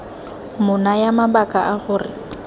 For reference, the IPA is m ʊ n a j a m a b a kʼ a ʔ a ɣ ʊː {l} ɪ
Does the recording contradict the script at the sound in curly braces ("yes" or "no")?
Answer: yes